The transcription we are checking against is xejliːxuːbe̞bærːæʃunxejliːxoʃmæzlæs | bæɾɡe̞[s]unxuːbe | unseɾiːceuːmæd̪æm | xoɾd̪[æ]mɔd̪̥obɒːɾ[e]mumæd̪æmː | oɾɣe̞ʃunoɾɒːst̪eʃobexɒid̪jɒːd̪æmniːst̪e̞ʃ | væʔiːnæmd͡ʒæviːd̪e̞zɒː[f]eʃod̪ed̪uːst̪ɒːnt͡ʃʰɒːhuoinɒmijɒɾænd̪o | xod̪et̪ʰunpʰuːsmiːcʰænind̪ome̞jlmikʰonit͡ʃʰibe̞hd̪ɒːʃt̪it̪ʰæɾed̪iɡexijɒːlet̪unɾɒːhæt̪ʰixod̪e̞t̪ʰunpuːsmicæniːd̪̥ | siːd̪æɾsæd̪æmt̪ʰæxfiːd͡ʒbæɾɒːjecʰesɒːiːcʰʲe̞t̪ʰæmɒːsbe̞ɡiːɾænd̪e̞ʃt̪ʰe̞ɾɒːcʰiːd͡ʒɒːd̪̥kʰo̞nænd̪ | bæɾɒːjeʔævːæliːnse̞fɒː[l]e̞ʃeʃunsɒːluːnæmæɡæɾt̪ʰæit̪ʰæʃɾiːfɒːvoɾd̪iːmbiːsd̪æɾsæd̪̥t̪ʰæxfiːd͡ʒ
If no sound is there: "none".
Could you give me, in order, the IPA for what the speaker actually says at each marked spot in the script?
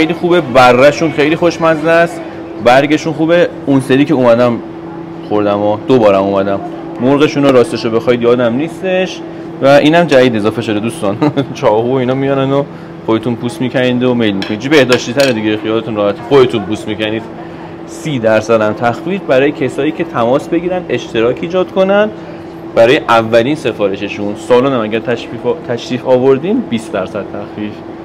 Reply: ʃ, æ, æ, f, ɾ

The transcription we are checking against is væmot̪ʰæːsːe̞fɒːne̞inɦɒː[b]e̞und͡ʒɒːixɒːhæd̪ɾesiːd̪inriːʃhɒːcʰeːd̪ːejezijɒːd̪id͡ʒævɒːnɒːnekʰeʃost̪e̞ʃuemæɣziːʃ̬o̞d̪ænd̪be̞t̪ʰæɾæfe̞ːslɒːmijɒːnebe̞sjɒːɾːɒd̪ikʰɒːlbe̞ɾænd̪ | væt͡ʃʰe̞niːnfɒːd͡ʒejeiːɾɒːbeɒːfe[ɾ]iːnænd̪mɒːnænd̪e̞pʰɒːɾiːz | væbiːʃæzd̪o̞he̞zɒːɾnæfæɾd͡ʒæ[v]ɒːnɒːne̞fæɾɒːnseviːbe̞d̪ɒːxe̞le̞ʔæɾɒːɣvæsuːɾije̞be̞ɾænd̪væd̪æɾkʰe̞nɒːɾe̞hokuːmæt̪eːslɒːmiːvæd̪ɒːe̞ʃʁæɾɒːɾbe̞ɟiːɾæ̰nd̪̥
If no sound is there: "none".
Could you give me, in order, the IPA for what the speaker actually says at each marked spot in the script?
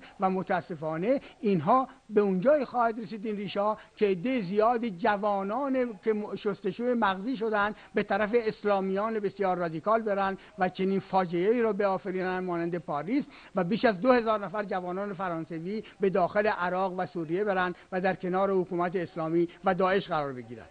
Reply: b, ɾ, v

